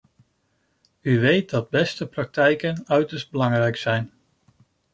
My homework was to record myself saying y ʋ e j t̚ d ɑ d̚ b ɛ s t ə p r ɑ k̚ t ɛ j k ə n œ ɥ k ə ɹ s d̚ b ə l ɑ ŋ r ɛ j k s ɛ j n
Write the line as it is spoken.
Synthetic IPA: y ʋ e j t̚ d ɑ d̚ b ɛ s t ə p r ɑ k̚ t ɛ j k ə n œ ɥ t ə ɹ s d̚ b ə l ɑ ŋ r ɛ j k s ɛ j n